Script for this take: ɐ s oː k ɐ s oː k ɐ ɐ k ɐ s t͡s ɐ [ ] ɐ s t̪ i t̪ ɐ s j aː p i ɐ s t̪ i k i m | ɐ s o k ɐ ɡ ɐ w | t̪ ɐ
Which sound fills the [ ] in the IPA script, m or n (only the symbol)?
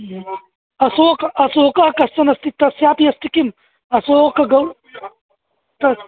n